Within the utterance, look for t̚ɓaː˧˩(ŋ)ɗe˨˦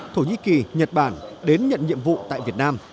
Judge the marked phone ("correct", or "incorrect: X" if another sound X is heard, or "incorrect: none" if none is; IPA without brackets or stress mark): incorrect: n